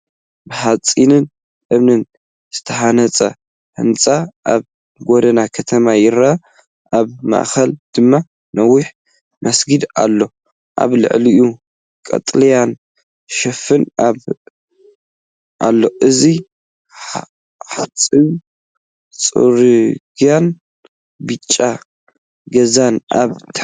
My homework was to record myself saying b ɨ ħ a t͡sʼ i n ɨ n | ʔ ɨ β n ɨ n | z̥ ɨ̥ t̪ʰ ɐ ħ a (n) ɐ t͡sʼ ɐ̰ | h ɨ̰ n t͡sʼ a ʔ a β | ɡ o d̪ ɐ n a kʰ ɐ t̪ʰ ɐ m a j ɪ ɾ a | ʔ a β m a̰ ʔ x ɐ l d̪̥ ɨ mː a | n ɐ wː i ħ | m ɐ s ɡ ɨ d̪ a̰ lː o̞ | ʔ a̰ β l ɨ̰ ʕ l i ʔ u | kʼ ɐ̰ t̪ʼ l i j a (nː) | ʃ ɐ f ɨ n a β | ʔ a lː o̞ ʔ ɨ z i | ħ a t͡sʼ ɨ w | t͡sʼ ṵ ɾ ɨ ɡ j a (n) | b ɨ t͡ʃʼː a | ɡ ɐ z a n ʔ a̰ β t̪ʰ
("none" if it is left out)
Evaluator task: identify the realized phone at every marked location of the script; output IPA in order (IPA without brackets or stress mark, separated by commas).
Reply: n, n, n